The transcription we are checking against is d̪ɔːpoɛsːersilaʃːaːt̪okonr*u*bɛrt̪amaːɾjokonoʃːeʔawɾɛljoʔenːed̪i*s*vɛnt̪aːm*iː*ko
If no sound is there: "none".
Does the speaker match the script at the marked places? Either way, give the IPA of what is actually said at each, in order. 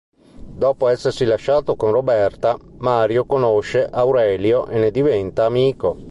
o, none, iː

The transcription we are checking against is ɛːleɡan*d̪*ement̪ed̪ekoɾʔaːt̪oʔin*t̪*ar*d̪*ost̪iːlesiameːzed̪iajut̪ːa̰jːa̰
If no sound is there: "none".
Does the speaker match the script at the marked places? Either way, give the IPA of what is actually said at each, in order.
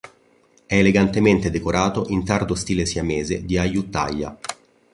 t̪, t̪, d̪

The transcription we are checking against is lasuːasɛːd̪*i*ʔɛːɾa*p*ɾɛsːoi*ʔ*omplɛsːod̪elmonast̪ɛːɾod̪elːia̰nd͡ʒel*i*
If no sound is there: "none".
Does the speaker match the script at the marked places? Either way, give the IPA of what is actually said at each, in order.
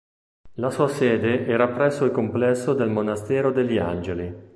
e, p, k, i

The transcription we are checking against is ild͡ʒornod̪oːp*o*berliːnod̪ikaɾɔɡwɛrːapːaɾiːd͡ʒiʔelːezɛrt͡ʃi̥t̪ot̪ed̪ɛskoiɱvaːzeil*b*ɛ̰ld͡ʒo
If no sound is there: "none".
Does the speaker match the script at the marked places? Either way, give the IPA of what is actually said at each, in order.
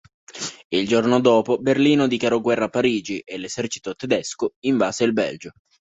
o, b

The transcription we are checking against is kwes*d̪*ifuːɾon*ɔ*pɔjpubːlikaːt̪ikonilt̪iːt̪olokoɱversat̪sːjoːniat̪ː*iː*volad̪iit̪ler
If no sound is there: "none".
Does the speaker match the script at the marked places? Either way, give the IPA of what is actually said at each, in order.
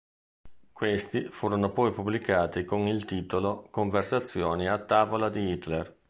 t̪, o, aː

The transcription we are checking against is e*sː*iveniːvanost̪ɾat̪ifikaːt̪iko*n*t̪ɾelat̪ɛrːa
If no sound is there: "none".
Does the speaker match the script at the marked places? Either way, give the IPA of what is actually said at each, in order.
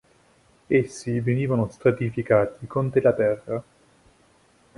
sː, n

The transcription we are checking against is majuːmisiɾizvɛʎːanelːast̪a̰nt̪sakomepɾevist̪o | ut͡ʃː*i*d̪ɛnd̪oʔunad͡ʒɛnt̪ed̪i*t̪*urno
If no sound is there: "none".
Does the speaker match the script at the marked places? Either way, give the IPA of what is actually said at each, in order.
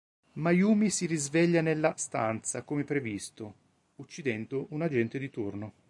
i, t̪

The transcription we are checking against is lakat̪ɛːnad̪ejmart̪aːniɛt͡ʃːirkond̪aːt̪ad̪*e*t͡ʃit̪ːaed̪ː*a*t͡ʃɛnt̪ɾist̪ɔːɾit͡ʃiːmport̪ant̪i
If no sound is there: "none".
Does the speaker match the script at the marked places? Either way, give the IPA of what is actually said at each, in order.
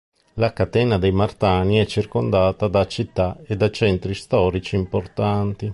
a, a

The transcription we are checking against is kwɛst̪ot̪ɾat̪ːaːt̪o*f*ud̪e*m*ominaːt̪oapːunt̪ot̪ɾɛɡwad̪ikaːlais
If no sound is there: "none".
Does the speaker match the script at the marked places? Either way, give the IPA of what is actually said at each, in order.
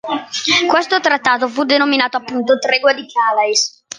f, n

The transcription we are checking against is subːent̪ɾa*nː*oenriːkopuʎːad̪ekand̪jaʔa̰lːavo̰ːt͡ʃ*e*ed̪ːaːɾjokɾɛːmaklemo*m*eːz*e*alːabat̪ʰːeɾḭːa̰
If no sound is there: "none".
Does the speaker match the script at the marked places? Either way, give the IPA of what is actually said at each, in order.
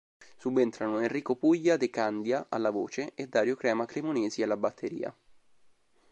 n, e, n, i

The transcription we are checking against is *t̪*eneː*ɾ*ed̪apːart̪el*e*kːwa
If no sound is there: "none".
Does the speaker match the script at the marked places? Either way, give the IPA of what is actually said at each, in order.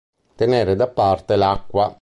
t̪, ɾ, a

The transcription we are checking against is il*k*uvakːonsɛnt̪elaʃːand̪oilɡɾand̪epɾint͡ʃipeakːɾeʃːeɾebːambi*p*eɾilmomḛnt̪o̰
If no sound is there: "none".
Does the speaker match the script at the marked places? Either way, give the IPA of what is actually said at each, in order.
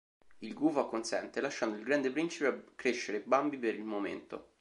ɡ, p

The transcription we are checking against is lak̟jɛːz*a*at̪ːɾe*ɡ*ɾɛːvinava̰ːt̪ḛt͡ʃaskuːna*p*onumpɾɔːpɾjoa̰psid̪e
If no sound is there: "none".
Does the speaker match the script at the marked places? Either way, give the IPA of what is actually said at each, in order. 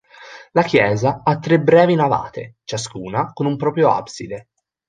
a, b, k

